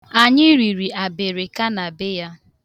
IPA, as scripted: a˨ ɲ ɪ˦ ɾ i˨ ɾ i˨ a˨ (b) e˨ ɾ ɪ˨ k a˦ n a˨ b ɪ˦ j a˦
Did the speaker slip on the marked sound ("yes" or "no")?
no